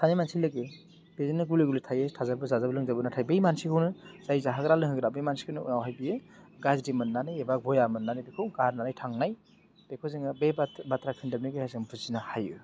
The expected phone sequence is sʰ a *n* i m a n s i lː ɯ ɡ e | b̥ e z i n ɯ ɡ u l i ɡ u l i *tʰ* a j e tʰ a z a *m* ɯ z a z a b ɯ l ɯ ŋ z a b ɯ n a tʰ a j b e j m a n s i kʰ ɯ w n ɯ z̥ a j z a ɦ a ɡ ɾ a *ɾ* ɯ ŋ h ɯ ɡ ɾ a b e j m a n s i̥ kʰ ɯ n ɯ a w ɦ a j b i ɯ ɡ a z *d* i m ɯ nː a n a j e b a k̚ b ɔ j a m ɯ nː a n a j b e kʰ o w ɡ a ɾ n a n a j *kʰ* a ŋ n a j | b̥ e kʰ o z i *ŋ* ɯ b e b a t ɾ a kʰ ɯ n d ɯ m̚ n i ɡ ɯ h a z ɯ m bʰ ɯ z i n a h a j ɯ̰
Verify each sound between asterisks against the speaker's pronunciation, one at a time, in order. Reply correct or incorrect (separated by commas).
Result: correct, correct, incorrect, incorrect, correct, incorrect, correct